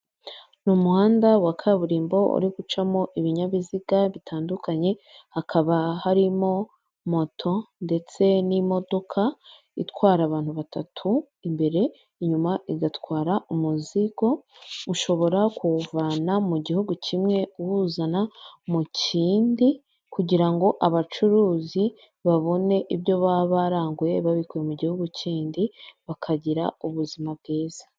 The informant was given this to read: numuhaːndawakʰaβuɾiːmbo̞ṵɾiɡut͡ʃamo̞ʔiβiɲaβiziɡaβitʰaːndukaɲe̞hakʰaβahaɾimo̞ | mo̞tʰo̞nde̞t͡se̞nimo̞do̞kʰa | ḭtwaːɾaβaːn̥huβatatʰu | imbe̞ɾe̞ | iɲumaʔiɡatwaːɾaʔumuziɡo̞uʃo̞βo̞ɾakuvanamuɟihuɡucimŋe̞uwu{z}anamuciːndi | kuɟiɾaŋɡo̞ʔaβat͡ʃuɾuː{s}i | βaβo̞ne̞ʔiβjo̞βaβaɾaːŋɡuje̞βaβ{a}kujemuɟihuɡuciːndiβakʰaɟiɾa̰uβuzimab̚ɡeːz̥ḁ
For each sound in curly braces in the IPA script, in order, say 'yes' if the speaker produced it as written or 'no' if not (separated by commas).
yes, no, no